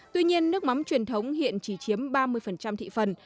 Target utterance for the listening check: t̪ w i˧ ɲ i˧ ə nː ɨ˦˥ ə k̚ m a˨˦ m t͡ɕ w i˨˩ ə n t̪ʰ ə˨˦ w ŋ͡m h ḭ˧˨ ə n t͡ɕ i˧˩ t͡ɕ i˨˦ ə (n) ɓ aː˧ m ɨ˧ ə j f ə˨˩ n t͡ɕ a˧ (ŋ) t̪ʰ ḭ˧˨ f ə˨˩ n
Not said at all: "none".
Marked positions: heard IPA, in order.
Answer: m, m

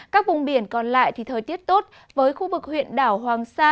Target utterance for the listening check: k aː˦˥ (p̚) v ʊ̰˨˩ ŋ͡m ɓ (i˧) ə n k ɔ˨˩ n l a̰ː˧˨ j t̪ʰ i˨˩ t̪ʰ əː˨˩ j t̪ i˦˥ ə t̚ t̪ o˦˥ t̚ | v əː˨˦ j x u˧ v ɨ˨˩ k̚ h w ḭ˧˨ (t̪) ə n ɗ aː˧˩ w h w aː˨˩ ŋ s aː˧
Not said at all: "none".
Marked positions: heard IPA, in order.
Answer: k̚, i˧˩, none

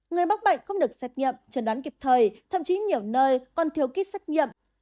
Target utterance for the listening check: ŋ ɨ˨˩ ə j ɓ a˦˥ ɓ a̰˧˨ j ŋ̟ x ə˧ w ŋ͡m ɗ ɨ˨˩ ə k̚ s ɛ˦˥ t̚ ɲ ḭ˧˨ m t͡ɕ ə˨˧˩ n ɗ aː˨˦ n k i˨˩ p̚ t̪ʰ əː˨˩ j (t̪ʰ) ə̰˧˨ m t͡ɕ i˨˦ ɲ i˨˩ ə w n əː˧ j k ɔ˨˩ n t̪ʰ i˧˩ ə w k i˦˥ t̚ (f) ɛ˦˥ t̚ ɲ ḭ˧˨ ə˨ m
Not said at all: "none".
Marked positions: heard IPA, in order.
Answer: t̪ʰ, s

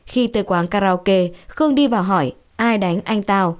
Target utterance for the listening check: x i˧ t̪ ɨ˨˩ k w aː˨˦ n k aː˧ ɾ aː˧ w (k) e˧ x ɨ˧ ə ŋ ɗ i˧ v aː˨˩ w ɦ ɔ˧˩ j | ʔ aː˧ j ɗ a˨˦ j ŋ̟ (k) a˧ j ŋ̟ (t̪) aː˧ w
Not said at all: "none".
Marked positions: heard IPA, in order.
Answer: k, ʔ, t̪

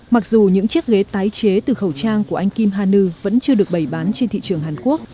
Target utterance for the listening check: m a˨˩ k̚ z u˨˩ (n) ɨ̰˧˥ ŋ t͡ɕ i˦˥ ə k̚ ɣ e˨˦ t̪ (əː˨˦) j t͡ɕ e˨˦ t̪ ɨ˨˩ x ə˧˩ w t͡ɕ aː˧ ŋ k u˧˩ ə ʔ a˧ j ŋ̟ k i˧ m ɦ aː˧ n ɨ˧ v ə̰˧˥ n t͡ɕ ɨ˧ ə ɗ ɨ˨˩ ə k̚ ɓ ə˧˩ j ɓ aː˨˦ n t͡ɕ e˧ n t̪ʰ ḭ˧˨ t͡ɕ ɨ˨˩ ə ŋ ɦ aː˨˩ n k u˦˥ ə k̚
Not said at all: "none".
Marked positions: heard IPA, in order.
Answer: ɲ, aː˨˦

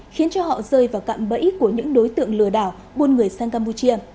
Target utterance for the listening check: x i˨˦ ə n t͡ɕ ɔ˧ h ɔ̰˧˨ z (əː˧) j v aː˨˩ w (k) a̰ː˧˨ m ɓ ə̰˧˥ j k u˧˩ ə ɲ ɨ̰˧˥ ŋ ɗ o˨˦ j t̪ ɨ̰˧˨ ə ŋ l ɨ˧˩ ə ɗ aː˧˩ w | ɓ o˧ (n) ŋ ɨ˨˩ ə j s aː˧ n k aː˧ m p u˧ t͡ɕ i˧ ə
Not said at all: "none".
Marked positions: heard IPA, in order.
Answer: əː˧, k, n

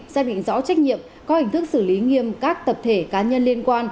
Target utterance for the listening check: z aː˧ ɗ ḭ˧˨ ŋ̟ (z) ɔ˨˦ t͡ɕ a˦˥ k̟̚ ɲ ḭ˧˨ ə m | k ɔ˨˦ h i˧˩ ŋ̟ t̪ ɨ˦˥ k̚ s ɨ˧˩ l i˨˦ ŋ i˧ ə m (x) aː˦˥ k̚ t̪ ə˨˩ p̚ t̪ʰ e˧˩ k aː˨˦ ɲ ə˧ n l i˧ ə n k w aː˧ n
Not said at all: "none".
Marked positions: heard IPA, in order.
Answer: z, k

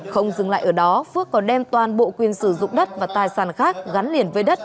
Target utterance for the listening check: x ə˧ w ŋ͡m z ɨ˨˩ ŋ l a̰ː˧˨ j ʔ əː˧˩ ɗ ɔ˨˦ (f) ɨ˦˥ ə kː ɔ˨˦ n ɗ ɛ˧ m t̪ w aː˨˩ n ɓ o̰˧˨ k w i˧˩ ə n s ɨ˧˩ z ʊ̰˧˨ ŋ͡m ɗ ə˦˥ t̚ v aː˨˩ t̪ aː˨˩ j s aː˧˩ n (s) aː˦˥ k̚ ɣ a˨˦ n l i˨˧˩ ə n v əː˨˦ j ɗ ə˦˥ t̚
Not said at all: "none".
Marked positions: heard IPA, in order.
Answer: f, x

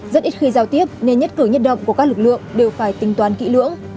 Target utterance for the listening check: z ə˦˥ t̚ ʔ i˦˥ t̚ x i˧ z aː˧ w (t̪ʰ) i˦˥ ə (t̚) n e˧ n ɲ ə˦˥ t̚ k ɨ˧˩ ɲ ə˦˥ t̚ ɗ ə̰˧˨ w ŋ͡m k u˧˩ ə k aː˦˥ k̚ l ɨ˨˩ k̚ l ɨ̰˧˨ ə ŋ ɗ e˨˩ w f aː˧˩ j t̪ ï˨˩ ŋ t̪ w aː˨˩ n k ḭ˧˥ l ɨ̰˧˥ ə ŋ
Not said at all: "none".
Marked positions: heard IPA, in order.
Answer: t̪, p̚

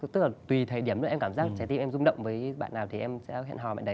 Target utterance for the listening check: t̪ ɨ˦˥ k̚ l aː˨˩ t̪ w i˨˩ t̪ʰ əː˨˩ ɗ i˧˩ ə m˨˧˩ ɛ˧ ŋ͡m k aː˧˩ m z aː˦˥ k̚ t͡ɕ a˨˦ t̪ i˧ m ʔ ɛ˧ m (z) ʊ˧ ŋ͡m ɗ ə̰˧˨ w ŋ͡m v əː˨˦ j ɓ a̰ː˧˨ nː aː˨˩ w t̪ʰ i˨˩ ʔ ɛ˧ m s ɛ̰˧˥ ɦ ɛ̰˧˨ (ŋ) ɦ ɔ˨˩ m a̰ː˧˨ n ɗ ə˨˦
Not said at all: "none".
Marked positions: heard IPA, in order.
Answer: z, n

